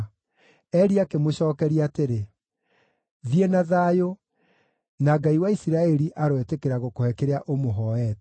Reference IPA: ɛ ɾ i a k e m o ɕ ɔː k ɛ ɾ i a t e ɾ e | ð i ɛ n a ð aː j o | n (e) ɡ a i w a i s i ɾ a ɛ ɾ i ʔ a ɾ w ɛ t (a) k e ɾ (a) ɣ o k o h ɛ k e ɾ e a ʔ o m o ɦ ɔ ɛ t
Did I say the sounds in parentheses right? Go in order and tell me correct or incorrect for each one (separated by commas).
incorrect, incorrect, correct